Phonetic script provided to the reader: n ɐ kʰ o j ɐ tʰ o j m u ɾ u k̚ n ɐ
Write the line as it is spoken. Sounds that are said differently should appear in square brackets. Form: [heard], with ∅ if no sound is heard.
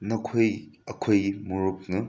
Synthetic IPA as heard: n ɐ kʰ o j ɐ [kʰ] o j m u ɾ u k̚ n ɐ